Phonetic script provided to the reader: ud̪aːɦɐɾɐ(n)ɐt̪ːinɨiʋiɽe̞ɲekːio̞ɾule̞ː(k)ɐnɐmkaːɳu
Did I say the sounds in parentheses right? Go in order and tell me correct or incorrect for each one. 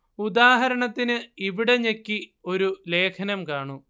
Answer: incorrect, incorrect

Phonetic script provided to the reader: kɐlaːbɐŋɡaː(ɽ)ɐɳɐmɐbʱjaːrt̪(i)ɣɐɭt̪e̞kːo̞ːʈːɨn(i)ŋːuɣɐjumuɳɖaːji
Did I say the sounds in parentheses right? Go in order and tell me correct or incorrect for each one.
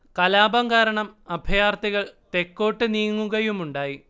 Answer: incorrect, correct, incorrect

